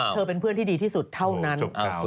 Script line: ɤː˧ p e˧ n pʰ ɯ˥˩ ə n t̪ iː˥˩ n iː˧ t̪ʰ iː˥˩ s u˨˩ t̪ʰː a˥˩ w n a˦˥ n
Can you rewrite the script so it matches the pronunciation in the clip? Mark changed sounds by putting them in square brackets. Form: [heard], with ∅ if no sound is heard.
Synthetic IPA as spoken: ɤː˧ p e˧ n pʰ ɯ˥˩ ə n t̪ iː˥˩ [d] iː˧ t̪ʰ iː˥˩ s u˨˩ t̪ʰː a˥˩ w n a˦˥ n